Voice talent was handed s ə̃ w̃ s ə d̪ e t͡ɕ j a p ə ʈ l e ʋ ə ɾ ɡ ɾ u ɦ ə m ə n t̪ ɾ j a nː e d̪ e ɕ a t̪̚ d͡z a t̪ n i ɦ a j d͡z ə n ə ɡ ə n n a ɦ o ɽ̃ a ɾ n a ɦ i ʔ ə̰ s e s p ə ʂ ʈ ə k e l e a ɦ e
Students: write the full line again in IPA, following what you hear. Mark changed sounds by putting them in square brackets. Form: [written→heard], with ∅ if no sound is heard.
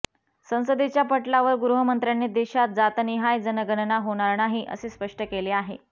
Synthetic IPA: s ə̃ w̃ s ə d̪ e t͡ɕ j a p ə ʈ l [e→a] ʋ ə ɾ ɡ ɾ u ɦ ə m ə n t̪ ɾ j a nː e d̪ e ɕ a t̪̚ d͡z a t̪ n i ɦ a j d͡z ə n ə ɡ ə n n a ɦ o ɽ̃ a ɾ n a ɦ i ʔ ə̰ s e s p ə ʂ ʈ ə k e l e a ɦ e